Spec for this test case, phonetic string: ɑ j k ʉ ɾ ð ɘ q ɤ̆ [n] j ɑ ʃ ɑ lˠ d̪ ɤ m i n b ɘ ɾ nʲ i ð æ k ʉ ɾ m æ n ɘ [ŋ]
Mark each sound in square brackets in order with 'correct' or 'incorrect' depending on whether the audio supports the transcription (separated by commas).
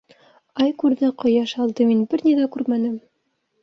incorrect, incorrect